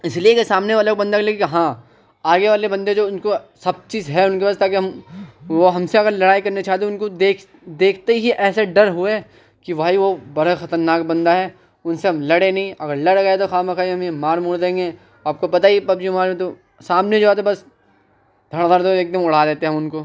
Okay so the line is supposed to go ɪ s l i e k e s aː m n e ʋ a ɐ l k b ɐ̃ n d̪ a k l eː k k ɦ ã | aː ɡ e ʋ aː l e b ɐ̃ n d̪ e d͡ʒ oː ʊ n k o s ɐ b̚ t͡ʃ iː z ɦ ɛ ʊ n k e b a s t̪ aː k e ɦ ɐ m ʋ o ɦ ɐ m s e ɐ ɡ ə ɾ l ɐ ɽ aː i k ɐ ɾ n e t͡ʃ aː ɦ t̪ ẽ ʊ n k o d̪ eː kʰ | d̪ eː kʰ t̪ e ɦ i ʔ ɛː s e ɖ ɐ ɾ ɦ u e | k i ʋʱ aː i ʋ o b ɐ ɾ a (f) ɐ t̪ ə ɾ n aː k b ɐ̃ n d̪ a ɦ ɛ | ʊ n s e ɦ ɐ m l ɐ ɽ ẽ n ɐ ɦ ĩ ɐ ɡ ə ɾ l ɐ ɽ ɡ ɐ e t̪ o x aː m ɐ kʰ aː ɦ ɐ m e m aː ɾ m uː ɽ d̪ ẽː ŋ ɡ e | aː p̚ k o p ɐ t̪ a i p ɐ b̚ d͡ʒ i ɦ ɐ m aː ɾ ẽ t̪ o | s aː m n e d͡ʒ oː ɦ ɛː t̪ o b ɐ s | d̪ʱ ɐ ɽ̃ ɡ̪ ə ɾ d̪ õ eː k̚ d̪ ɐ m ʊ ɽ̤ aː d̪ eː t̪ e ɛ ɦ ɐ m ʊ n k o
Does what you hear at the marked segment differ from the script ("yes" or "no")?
yes